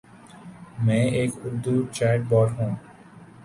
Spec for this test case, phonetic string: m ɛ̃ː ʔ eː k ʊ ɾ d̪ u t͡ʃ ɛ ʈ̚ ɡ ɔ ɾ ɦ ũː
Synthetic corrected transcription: m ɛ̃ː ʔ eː k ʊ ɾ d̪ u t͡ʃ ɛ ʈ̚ b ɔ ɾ ɦ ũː